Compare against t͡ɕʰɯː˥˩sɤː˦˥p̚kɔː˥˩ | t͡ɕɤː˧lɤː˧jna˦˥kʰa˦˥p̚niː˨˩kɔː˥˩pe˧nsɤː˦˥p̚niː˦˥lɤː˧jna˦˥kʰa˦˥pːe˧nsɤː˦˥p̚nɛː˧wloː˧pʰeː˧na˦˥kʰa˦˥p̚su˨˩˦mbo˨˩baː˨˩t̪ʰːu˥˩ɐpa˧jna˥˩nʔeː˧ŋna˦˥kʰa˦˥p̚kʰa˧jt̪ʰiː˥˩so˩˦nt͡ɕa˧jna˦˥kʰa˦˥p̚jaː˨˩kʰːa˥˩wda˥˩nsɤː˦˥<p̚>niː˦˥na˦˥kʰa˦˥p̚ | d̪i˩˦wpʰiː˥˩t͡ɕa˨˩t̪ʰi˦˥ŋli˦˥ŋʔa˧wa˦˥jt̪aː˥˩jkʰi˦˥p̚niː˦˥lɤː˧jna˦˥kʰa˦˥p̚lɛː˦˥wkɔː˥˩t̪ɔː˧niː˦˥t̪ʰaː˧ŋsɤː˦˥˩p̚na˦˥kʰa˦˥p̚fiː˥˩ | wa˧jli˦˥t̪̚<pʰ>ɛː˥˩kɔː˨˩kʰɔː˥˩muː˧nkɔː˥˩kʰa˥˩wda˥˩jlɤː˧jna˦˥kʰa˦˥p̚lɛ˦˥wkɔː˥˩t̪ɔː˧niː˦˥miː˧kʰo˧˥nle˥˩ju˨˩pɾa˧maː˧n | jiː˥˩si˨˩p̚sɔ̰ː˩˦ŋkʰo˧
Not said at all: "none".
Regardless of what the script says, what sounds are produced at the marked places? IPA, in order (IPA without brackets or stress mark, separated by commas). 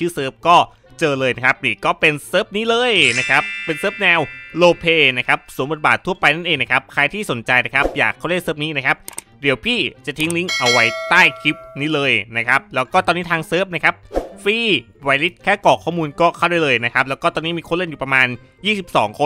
p̚, kʰ